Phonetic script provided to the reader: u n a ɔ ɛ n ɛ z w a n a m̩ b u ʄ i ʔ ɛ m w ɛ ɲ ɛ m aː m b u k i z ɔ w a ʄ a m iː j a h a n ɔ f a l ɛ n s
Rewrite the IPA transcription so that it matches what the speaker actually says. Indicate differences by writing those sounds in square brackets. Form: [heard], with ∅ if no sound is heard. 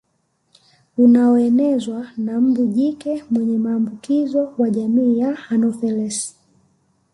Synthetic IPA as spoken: u n a ɔ ɛ n ɛ z w a n a m̩ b u ʄ i [k] ɛ m w ɛ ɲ ɛ m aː m b u k i z ɔ w a ʄ a m iː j a h a n ɔ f [ɛ] l ɛ [∅] s